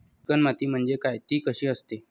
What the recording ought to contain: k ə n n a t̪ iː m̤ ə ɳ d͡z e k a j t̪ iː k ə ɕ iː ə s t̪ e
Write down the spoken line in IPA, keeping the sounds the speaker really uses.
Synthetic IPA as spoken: k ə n m a t̪ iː m̤ ə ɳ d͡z e k a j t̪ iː k ə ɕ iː ə s t̪ e